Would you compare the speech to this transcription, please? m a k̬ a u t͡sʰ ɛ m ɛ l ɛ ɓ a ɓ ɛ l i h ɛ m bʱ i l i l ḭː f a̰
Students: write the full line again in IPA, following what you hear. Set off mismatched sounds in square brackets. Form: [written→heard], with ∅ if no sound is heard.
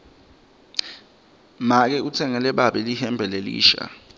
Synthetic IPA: m a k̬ [a→ɛ] u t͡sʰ ɛ [m→ŋ] ɛ l ɛ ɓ a ɓ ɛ l i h ɛ m bʱ [i→ɛ] l [i→e] l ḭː [f→ʃ] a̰